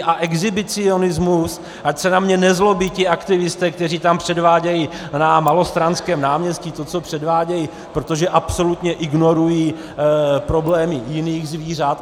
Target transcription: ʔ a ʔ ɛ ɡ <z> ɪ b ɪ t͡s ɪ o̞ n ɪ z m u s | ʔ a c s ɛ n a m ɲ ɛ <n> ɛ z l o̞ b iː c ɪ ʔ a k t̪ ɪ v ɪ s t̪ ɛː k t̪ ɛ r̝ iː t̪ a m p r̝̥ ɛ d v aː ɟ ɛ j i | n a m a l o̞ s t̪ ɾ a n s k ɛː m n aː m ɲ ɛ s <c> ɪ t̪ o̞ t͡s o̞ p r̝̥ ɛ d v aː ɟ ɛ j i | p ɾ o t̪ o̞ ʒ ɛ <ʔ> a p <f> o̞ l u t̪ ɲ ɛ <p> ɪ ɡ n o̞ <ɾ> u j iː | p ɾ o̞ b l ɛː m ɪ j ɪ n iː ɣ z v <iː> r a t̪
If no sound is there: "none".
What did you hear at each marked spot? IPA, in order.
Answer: z, n, c, ʔ, s, ʔ, ɾ, iː

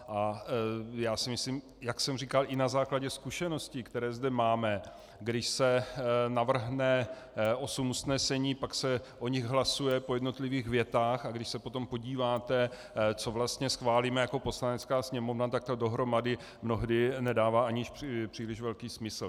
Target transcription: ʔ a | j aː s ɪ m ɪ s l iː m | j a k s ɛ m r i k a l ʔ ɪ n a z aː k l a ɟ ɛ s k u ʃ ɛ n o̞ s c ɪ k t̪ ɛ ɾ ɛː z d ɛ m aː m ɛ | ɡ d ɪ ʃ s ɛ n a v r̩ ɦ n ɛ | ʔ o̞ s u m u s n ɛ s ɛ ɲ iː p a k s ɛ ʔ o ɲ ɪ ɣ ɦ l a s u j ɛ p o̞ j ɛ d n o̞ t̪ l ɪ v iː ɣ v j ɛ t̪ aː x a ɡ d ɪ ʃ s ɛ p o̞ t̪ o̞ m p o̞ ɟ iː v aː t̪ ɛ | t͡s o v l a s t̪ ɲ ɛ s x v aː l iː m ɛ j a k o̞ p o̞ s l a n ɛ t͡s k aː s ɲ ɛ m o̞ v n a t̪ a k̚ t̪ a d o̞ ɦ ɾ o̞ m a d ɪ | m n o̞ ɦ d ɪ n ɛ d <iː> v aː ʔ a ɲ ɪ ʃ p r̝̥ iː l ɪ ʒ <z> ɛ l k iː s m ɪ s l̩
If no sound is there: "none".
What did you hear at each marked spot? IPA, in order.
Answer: aː, v

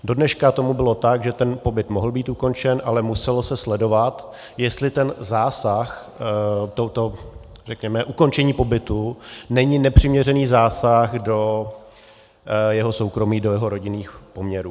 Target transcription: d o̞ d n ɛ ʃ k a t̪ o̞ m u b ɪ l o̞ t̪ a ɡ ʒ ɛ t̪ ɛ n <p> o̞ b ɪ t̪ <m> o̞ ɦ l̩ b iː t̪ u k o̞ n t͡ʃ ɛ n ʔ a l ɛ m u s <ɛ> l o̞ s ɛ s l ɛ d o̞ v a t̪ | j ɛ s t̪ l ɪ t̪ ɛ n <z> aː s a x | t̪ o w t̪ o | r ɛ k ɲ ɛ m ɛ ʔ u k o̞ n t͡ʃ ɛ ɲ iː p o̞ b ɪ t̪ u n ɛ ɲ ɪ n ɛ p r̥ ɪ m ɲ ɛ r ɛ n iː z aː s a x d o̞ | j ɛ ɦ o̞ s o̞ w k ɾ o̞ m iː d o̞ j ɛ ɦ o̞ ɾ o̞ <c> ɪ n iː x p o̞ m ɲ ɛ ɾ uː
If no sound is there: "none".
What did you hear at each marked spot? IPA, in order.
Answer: p, m, ɛ, z, ɟ

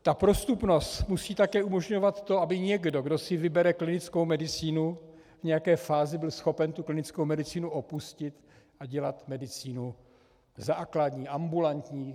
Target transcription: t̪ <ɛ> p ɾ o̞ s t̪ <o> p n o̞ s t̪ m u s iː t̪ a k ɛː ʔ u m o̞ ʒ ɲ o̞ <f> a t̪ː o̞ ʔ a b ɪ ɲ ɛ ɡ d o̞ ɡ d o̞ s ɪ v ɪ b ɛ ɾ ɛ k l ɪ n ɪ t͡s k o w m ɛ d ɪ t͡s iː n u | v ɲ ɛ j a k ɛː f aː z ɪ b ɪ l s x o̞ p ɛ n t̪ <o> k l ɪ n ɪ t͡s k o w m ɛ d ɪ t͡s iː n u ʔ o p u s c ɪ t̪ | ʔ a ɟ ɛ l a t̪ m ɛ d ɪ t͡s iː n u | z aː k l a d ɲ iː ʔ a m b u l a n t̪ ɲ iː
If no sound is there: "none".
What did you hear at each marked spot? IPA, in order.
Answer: a, u, v, u

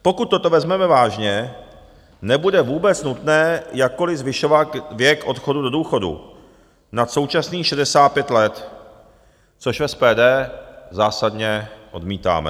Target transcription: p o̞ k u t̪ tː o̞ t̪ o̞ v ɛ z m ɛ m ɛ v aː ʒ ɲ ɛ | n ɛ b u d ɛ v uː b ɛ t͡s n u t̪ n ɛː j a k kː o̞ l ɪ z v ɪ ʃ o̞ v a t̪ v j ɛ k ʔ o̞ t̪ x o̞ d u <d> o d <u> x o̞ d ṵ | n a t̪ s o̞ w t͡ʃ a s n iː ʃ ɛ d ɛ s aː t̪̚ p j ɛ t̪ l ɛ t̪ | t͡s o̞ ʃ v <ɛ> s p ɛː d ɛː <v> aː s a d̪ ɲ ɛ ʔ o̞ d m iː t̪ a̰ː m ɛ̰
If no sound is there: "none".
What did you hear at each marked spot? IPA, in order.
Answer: d, uː, ɛ, z

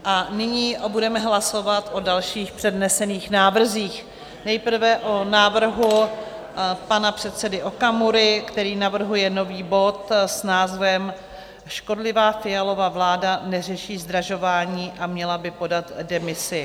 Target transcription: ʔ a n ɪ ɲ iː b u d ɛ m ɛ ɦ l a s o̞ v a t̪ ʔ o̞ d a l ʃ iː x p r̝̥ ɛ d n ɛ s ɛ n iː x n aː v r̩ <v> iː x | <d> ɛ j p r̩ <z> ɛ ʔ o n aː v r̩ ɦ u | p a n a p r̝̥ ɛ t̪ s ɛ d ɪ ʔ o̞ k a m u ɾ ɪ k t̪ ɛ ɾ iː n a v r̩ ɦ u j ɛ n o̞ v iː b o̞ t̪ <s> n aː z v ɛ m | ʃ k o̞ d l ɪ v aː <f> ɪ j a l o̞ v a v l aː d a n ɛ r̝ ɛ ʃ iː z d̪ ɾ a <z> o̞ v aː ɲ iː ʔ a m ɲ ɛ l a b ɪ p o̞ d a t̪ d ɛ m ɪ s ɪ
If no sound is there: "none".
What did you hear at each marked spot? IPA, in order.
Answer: z, n, v, s, f, ʒ

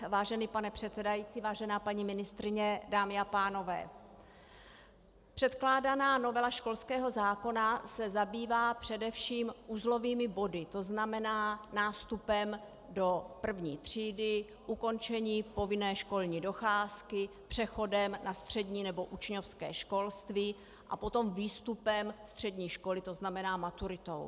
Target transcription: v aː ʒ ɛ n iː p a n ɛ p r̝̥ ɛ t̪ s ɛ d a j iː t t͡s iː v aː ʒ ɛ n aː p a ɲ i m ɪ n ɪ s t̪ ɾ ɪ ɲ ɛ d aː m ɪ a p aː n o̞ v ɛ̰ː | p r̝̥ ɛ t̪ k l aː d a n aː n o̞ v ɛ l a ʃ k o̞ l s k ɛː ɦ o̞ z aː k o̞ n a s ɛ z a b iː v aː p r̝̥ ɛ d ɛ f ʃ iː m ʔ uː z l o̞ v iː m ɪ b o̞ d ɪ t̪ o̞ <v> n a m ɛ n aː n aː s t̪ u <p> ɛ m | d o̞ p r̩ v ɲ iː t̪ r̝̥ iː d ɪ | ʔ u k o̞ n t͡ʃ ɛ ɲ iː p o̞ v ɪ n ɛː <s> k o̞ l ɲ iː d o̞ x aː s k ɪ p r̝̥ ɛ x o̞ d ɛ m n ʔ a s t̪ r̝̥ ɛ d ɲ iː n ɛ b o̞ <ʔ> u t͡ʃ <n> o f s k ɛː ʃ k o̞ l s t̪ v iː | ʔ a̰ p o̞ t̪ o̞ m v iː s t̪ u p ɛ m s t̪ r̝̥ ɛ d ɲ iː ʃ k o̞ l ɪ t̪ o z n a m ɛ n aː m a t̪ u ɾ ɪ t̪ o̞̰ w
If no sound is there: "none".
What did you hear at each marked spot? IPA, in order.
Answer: z, p, ʃ, ʔ, ɲ

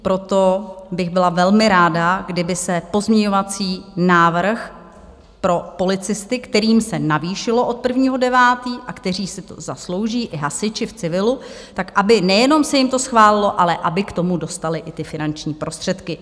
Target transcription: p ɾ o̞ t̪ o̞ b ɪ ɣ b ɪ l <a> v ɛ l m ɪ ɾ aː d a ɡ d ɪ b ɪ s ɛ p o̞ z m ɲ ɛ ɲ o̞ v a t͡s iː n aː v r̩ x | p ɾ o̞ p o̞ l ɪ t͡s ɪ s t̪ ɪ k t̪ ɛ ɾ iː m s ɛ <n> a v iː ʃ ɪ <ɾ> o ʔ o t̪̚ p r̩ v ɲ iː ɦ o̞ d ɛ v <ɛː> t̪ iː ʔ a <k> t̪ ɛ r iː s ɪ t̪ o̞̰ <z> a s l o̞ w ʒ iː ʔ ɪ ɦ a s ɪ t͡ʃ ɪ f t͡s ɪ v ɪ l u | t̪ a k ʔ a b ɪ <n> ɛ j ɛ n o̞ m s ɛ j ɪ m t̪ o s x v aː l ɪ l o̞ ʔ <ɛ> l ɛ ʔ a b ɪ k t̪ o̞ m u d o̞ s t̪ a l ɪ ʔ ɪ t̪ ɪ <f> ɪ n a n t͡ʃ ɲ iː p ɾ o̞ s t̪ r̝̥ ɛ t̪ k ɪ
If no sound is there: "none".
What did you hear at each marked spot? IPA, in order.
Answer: a, n, l, aː, k, z, n, a, f

